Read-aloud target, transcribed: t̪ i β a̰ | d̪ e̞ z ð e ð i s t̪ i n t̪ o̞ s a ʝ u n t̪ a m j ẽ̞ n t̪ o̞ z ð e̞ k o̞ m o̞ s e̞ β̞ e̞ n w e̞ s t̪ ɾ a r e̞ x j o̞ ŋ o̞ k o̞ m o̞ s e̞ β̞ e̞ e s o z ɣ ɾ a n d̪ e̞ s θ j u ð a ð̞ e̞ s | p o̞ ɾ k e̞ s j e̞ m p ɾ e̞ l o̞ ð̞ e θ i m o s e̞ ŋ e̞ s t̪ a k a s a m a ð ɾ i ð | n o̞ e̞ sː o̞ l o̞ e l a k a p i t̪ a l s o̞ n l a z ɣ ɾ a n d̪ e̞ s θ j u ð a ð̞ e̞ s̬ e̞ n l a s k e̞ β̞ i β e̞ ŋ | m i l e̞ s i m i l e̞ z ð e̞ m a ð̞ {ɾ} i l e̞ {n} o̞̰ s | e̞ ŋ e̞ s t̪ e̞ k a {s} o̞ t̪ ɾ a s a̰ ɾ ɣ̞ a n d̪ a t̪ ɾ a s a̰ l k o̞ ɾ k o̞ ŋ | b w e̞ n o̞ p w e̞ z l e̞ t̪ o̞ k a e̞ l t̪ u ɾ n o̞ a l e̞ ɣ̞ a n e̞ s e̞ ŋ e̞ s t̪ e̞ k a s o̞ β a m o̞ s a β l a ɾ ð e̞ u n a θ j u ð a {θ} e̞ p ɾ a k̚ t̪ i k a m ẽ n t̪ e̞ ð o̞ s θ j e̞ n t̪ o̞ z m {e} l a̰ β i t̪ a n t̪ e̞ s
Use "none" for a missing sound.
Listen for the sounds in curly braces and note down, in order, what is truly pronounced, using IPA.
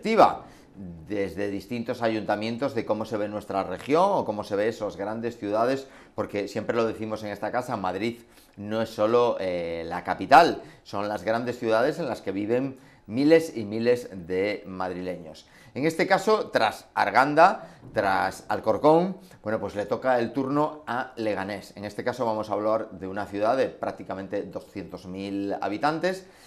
ɾ, ɲ, s, ð, i

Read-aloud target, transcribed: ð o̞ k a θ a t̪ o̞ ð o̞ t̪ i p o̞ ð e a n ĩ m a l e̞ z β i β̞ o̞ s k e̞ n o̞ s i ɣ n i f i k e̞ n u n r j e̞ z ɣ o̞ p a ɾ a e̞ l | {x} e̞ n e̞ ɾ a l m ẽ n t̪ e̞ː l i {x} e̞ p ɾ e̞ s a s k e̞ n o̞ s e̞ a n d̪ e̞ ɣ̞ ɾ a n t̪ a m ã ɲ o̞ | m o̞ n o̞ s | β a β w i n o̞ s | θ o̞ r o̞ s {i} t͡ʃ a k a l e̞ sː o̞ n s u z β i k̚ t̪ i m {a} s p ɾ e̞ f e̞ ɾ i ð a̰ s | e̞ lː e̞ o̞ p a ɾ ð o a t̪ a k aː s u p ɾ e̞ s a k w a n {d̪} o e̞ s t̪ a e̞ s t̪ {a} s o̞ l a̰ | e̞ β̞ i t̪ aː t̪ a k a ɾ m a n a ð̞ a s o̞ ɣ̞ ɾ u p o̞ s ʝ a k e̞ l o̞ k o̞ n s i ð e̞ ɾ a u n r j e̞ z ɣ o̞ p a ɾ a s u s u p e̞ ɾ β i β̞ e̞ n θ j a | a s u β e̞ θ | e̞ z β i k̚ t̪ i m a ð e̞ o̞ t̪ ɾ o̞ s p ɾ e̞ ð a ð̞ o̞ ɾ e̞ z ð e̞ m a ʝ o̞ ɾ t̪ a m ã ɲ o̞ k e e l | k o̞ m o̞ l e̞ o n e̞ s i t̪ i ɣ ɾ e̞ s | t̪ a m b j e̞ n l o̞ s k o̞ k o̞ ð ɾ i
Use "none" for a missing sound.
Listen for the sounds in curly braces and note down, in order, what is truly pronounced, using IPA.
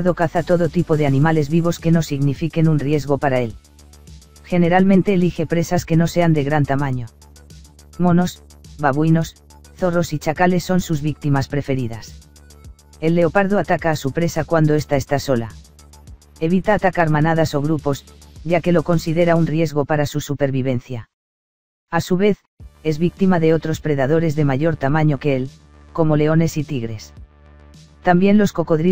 x, x, i, a, d̪, a

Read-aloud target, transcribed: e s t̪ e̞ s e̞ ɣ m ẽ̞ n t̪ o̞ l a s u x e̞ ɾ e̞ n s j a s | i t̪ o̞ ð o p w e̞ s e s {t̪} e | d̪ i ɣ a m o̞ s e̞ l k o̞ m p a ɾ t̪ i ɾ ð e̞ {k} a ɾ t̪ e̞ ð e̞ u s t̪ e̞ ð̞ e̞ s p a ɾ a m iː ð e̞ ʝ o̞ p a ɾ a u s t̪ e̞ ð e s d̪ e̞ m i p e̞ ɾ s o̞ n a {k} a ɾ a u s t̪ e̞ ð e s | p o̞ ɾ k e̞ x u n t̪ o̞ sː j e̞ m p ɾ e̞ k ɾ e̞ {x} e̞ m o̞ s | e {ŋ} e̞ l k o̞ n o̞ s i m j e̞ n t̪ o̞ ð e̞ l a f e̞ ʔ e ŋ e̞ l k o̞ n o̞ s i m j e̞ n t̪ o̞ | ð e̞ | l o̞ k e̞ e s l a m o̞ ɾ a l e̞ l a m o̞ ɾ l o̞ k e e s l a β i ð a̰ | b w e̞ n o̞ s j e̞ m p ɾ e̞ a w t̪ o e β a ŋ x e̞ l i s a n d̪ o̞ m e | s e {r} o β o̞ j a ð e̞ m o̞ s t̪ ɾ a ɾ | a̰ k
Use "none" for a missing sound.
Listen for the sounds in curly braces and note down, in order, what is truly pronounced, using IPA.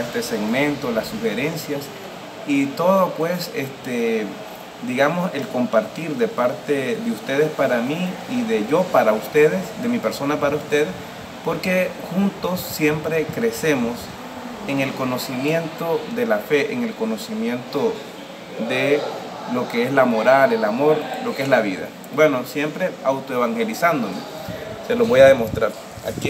t̪, p, p, s, ŋ, l

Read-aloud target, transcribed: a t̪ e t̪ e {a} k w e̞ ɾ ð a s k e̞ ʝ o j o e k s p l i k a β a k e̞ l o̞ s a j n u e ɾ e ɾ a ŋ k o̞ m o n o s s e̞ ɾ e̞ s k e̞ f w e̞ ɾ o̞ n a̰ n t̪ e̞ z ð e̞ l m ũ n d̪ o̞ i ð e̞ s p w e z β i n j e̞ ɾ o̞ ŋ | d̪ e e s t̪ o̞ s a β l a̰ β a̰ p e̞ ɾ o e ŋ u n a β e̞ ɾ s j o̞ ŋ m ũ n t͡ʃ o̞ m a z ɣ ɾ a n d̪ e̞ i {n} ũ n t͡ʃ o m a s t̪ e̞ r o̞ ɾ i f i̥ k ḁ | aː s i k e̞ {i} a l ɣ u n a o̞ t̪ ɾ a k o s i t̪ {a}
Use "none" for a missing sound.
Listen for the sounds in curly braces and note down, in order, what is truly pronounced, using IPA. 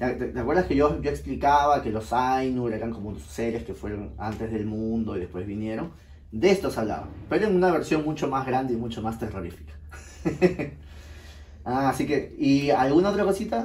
a, m, i, a

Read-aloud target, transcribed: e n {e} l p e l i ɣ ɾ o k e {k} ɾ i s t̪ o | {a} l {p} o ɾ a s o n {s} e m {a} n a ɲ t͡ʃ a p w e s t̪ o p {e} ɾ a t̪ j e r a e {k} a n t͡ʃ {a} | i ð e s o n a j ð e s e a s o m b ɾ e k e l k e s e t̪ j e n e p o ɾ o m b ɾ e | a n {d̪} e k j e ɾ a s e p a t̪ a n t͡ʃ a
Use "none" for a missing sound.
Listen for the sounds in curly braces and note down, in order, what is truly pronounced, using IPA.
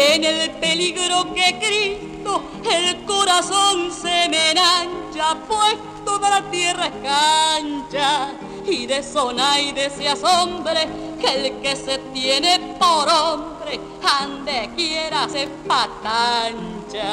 e, k, e, k, s, e, a, k, a, d̪

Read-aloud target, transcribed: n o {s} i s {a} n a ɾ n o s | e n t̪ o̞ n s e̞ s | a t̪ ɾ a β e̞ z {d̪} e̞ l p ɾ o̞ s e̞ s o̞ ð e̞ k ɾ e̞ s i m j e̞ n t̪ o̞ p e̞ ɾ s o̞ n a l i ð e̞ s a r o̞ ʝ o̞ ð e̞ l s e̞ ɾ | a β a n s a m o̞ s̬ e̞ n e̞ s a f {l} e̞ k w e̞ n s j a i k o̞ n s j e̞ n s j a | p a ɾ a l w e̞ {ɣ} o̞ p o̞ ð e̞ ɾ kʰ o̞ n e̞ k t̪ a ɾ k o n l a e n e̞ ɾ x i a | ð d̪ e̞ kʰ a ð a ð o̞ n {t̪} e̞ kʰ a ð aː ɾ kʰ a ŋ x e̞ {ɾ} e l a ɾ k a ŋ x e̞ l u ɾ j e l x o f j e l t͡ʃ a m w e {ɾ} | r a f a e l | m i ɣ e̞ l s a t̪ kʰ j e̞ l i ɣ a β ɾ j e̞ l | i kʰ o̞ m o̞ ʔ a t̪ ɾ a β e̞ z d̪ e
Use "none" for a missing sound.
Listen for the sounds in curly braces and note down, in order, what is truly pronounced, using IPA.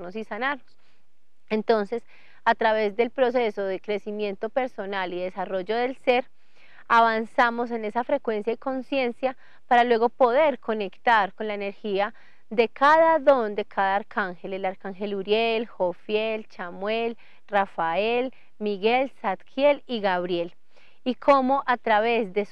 s, a, d̪, ɾ, ɣ, d̪, l, l

